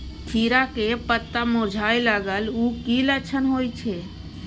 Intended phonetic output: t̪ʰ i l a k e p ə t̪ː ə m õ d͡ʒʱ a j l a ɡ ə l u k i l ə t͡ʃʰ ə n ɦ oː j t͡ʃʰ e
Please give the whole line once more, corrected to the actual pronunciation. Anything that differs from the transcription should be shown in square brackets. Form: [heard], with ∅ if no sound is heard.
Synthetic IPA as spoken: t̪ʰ i [ɾ] a k e p ə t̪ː [a] m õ d͡ʒʱ a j l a ɡ ə l u k i l ə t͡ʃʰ ə n ɦ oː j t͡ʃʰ e